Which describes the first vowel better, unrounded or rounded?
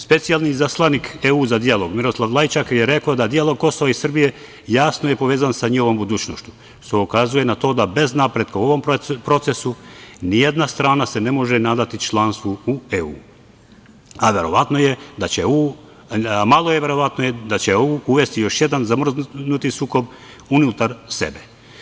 unrounded